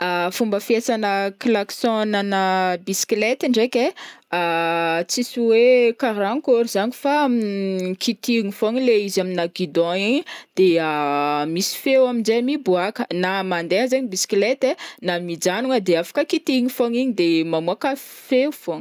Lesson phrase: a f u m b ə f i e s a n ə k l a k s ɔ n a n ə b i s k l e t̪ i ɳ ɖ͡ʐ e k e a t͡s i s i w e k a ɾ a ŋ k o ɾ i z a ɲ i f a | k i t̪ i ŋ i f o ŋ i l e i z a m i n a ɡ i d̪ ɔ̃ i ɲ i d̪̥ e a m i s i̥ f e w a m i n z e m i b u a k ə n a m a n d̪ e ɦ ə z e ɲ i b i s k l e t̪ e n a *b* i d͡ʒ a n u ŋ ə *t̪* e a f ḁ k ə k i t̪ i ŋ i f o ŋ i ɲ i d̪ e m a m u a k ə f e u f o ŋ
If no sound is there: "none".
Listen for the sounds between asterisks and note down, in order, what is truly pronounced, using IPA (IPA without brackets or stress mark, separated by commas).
m, d̪